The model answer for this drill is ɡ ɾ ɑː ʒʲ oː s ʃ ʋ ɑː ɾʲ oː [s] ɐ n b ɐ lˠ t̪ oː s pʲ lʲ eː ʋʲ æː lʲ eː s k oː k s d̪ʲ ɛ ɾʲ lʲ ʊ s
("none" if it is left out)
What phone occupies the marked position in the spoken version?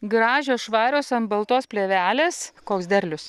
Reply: s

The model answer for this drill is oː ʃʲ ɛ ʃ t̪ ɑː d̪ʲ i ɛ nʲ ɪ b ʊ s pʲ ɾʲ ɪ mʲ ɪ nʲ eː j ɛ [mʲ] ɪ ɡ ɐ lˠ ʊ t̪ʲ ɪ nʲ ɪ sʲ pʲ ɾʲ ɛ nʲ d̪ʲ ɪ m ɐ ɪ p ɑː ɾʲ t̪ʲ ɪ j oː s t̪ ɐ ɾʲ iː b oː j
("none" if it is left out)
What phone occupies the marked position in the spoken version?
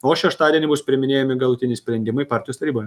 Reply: mʲ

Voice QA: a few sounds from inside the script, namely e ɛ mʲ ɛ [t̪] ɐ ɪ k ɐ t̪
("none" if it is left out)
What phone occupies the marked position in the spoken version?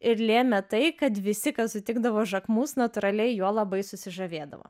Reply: t̪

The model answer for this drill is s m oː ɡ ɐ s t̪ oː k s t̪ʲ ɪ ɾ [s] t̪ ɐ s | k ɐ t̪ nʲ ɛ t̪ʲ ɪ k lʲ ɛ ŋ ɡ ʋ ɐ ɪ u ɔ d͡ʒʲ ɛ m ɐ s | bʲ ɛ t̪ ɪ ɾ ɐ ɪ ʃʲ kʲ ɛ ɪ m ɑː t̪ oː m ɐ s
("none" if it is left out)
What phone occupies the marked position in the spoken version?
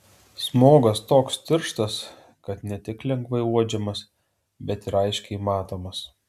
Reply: ʃ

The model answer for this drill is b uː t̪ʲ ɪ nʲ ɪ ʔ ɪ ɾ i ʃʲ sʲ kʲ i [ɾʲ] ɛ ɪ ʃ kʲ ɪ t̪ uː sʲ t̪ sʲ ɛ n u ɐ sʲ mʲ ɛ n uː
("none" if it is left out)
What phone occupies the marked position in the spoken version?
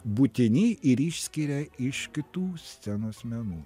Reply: ɾʲ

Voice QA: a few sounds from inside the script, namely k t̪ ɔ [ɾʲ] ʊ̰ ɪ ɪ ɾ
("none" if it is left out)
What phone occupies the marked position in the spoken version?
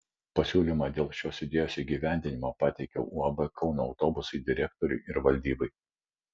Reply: ɾʲ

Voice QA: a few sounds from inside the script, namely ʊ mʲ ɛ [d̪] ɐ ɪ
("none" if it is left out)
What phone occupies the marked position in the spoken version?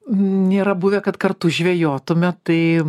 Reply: t̪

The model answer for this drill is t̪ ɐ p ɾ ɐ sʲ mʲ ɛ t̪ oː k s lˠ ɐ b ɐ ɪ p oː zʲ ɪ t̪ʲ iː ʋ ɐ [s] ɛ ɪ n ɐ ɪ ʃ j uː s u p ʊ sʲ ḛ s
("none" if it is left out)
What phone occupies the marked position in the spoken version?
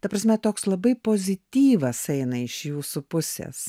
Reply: s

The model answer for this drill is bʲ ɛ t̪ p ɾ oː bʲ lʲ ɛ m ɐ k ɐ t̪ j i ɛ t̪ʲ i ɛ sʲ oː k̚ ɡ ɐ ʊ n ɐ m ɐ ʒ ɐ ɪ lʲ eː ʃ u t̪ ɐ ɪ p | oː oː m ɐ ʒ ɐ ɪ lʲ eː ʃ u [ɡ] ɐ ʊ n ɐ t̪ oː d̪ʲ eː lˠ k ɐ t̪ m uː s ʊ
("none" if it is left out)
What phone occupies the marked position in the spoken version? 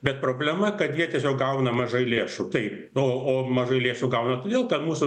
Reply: ɡ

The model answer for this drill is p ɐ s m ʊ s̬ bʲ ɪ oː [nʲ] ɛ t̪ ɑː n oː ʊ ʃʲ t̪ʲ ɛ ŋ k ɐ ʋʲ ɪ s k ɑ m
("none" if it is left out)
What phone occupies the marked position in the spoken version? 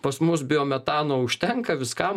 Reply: mʲ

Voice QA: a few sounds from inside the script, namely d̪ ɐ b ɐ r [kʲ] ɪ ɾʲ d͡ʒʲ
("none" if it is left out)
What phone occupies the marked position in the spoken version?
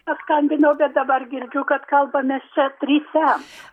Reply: ɡʲ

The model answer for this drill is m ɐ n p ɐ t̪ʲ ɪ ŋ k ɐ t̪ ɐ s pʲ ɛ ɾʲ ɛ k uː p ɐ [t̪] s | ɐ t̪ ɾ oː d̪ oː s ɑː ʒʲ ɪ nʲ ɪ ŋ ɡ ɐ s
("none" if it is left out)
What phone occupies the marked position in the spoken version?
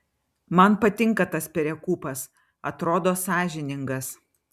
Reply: none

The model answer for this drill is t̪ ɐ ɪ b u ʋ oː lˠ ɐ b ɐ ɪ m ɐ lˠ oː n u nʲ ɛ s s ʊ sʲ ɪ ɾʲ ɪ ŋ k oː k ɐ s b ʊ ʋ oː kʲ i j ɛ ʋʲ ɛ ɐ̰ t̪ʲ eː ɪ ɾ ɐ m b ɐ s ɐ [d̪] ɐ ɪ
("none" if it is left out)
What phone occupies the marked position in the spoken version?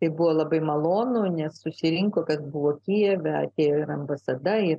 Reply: d̪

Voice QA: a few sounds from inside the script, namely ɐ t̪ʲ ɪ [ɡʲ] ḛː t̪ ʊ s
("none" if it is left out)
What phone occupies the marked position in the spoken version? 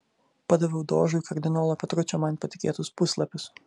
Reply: kʲ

